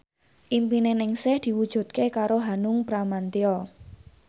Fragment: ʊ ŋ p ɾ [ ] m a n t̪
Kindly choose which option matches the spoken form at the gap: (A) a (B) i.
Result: A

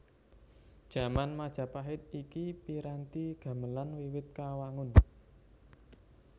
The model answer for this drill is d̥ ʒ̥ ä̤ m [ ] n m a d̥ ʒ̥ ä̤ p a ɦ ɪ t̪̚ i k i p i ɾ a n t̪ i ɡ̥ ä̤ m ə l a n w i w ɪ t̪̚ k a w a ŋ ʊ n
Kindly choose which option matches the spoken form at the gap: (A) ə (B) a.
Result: B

